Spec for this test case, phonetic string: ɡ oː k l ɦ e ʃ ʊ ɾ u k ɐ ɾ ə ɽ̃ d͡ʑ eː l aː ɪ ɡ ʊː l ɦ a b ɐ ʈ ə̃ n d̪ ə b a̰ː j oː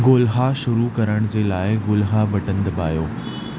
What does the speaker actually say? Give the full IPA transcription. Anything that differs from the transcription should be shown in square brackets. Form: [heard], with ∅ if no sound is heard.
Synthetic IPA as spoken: ɡ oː [∅] l ɦ [a] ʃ ʊ ɾ u k ɐ ɾ ə ɽ̃ d͡ʑ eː l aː ɪ ɡ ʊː l ɦ a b ɐ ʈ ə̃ n d̪ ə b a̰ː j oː